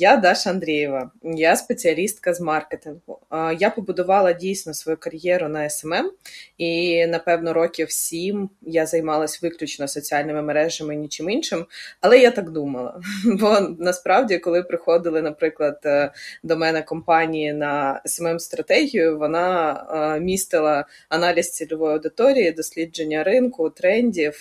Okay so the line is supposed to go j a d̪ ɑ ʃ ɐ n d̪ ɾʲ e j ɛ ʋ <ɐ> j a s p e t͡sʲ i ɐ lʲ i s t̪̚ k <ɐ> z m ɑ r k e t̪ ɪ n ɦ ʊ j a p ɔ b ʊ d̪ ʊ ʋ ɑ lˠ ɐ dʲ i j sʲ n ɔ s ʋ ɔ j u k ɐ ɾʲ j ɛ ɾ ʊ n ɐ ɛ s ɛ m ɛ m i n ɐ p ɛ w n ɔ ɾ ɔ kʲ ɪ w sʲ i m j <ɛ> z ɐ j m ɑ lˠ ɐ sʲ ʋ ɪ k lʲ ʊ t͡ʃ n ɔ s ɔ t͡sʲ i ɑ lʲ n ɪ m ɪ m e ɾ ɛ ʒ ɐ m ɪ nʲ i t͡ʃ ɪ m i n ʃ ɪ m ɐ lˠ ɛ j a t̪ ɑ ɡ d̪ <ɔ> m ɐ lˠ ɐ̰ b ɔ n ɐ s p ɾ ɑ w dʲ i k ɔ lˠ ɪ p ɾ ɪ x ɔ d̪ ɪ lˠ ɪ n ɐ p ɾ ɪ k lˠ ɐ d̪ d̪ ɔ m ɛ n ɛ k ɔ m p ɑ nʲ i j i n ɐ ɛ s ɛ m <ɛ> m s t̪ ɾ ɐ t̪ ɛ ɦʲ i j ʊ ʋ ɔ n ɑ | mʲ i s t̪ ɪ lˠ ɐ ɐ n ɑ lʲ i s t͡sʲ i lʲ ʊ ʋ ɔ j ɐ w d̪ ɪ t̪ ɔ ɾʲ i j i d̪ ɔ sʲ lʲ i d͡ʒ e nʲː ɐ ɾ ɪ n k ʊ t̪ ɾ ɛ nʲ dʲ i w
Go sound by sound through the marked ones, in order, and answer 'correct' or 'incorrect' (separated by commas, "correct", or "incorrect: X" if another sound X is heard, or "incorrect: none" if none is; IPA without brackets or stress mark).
correct, correct, incorrect: a, incorrect: u, correct